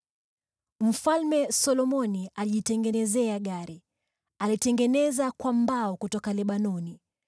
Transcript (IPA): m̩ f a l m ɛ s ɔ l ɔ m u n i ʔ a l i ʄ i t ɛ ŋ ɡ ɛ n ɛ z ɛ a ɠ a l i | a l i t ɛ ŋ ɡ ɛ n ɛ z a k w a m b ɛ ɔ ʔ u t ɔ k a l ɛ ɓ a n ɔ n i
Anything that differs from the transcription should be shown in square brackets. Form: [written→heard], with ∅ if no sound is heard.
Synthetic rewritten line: m̩ f a l m ɛ s ɔ l ɔ m [u→ɔ] n i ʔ a l i ʄ i t ɛ ŋ ɡ ɛ n ɛ z ɛ a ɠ a [l→ɾ] i | a l i t ɛ ŋ ɡ ɛ n ɛ z a k w a m b [ɛ→a] ɔ [ʔ→k] u t ɔ k a l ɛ ɓ a n ɔ n i